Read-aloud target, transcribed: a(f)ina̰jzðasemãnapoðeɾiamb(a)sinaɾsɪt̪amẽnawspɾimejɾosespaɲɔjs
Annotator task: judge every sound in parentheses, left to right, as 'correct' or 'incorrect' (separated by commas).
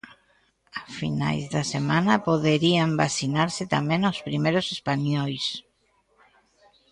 correct, correct